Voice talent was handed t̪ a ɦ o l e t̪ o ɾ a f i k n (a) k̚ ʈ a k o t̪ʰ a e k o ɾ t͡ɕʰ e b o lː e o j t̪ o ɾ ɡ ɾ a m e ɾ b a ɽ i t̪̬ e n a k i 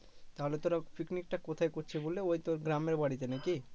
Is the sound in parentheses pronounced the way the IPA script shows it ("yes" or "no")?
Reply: no